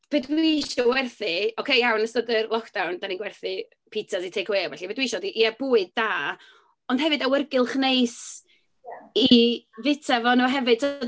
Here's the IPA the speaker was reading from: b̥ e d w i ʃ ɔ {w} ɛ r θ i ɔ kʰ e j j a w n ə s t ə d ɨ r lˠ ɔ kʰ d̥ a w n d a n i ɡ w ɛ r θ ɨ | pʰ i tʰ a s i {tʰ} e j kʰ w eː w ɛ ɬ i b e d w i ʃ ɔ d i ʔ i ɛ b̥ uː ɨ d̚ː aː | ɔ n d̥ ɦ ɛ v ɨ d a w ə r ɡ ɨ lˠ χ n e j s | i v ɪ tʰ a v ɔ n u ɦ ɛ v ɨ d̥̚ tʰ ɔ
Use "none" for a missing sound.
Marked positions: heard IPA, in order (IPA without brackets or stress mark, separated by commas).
w, tʰ